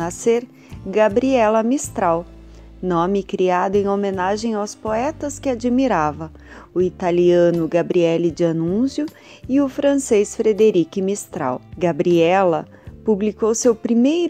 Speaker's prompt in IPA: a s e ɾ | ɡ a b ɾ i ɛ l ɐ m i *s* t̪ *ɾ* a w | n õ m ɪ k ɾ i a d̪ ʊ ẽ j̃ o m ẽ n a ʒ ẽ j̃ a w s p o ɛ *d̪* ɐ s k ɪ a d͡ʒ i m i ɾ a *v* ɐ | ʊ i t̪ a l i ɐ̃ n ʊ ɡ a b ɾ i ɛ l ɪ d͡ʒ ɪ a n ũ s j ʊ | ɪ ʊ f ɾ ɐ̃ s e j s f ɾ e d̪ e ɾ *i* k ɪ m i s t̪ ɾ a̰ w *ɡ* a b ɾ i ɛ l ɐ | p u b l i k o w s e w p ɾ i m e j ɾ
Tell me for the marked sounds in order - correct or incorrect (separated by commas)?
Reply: correct, correct, incorrect, correct, correct, correct